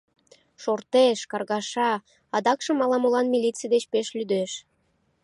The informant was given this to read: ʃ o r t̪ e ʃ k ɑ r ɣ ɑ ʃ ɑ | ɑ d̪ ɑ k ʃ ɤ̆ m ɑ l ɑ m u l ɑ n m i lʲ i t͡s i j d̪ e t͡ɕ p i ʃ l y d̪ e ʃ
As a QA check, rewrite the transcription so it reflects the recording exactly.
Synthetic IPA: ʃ o r t̪ e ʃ k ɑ r ɣ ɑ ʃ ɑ | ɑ d̪ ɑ k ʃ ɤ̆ m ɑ l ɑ m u l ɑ n m i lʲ i t͡s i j d̪ e t͡ɕ p e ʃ l y d̪ e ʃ